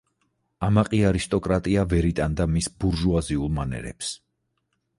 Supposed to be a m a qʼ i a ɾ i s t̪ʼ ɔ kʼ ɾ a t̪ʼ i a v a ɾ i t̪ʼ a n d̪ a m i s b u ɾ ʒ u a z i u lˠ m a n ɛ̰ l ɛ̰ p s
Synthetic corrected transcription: a m a qʼ i a ɾ i s t̪ʼ ɔ kʼ ɾ a t̪ʼ i a v ɛ ɾ i t̪ʼ a n d̪ a m i s b u ɾ ʒ u a z i u lˠ m a n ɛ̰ ɾ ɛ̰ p s